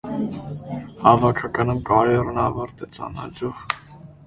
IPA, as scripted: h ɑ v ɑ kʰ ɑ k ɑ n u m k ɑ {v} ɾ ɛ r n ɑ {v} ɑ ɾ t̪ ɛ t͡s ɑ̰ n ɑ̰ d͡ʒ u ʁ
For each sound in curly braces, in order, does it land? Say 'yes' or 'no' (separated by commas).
no, yes